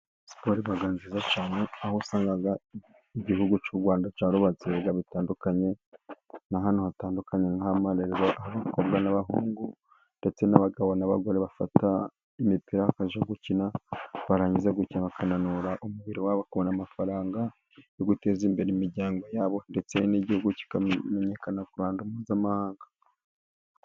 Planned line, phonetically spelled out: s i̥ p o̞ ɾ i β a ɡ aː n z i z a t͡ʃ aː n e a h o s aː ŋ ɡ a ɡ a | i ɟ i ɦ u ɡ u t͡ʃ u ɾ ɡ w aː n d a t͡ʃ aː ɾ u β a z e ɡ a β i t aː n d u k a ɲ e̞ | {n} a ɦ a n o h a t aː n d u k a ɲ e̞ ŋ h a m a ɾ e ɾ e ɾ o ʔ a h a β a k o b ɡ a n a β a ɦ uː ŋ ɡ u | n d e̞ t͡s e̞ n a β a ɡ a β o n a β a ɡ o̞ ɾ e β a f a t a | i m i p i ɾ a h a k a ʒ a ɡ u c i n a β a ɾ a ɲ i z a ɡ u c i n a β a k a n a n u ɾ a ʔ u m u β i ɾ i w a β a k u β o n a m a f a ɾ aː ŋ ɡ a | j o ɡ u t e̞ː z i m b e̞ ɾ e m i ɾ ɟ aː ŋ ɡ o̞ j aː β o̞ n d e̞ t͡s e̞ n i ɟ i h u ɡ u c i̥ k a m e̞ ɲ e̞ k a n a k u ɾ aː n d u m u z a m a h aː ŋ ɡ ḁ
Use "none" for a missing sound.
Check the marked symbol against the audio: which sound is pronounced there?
n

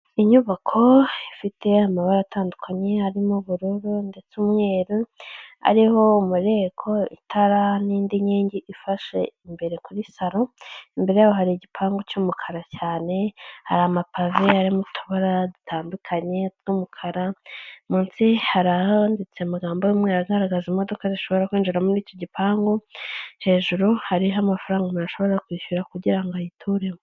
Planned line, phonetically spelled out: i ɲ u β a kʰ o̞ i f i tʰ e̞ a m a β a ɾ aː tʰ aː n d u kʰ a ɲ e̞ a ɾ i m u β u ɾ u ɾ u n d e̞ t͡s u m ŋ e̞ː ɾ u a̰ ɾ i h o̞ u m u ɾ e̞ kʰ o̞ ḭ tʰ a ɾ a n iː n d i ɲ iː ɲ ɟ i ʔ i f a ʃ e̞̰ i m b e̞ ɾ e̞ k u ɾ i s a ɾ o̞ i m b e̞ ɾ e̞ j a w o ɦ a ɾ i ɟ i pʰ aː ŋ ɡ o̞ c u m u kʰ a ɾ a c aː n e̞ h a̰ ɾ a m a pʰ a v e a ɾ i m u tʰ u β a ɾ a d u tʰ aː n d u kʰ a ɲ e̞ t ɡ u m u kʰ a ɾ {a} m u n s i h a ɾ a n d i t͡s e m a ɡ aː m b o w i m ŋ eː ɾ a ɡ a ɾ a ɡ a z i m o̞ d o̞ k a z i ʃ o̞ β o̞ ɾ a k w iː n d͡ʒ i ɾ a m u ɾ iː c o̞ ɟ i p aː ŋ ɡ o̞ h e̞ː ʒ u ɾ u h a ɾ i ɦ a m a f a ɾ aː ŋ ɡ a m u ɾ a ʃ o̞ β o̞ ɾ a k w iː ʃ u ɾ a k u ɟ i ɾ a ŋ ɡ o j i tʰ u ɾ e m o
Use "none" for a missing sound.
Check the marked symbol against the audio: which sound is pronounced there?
a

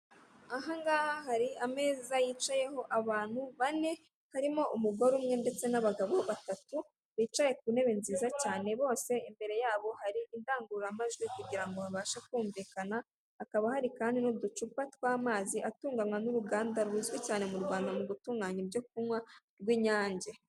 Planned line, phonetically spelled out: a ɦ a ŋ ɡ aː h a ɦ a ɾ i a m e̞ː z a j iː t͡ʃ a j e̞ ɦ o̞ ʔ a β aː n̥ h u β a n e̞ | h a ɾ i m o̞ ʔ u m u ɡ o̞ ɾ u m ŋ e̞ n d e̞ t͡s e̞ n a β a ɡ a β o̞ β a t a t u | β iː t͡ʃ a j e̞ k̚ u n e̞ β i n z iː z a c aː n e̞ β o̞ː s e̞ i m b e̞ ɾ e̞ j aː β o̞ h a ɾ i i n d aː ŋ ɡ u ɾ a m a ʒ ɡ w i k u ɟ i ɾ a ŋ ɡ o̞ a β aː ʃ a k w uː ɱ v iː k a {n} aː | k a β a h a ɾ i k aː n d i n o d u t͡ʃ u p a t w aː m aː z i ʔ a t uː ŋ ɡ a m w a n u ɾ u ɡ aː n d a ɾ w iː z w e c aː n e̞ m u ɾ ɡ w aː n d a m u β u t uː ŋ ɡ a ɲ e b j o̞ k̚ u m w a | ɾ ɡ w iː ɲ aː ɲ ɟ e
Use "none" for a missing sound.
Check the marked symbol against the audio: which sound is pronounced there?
n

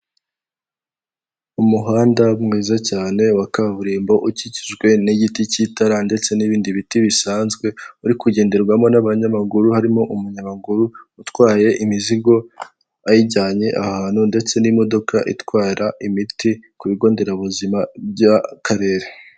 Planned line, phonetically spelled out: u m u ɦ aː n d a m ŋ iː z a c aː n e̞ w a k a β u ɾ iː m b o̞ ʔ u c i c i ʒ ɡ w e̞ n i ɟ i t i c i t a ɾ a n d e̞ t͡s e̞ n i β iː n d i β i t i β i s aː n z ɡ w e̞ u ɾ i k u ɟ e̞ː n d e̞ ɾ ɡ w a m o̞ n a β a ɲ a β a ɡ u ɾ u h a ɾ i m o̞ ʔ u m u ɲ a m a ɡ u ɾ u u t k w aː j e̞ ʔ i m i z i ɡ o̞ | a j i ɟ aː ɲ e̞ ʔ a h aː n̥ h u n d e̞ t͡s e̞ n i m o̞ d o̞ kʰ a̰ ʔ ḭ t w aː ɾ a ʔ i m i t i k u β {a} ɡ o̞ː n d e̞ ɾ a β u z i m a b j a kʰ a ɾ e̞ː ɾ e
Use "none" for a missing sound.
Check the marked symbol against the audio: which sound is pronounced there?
i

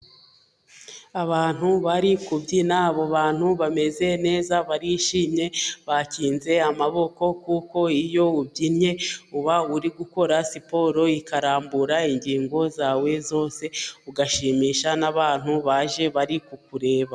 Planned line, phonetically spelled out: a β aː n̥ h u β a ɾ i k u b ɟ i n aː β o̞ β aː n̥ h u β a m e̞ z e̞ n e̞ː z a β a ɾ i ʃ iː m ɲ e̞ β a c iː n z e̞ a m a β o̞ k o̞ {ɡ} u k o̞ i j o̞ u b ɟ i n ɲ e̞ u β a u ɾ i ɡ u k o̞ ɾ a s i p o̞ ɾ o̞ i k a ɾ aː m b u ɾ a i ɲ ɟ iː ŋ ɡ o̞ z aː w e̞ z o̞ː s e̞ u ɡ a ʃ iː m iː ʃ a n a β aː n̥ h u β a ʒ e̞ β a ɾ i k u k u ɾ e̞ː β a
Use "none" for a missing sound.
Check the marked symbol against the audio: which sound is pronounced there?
k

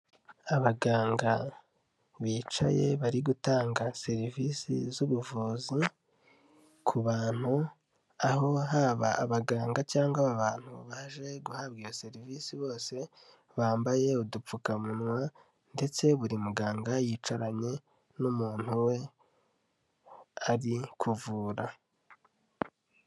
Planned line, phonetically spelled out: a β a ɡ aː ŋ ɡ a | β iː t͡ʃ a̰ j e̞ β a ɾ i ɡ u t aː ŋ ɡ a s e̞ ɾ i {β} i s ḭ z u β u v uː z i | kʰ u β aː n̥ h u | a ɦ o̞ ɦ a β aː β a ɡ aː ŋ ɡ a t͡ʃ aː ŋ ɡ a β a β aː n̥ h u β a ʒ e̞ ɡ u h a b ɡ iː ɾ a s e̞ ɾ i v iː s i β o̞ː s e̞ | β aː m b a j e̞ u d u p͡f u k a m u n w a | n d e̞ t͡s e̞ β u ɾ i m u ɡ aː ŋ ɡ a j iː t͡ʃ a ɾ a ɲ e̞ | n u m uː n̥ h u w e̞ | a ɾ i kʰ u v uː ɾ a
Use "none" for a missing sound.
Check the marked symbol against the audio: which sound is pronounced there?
v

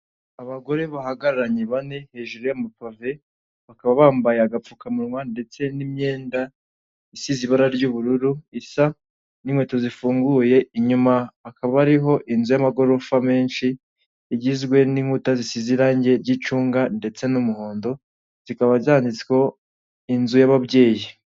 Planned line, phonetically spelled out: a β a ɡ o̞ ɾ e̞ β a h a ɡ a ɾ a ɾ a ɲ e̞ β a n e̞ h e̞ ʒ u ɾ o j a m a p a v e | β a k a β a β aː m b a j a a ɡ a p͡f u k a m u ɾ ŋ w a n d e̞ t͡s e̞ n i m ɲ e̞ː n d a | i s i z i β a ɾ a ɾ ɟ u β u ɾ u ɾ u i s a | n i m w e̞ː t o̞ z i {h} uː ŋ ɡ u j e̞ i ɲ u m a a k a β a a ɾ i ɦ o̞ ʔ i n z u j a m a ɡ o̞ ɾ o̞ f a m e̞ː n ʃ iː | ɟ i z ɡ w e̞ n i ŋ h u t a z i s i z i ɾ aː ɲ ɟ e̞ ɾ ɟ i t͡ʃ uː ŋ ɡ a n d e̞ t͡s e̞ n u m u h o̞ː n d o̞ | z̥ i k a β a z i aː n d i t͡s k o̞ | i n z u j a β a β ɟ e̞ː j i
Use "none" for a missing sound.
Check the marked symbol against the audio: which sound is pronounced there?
f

